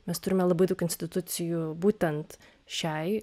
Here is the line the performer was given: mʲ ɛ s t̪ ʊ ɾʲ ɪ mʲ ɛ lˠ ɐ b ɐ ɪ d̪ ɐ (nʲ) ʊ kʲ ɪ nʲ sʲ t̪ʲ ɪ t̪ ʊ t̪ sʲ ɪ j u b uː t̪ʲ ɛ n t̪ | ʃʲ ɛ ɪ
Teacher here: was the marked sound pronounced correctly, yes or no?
no